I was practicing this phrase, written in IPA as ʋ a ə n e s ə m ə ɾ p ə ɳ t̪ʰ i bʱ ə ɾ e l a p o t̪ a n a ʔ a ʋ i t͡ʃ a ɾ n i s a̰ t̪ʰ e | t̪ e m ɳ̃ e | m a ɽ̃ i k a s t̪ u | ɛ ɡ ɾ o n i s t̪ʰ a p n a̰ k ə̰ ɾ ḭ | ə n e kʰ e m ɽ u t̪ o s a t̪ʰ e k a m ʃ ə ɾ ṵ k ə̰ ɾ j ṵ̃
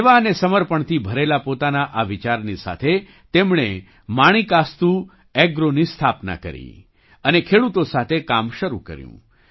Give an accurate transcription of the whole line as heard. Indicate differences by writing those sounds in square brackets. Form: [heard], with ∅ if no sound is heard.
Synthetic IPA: ʋ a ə n e s ə m ə ɾ p ə ɳ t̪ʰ i bʱ ə ɾ e l a p o t̪ a n a ʔ a ʋ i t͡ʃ a ɾ n i s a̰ t̪ʰ e | t̪ e m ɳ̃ e | m a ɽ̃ i k a s t̪ u | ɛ ɡ ɾ o n i s t̪ʰ a p n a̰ k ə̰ ɾ ḭ | ə n e kʰ e [∅] ɽ u t̪ o s a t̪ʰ e k a m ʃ ə ɾ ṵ k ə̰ ɾ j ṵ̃